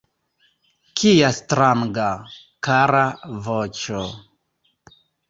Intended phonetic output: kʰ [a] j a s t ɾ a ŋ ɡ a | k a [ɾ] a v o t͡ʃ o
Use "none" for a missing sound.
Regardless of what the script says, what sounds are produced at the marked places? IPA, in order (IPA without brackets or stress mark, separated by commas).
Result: i, ɾ